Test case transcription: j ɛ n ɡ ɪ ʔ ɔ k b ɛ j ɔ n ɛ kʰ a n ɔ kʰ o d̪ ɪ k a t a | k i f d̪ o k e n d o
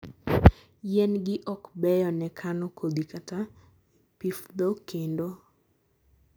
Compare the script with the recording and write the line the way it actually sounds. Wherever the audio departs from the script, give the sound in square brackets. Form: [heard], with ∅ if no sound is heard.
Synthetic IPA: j ɛ n ɡ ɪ ʔ ɔ k b ɛ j ɔ n ɛ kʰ a n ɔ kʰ o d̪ [i] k a t a | [p] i f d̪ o k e n d o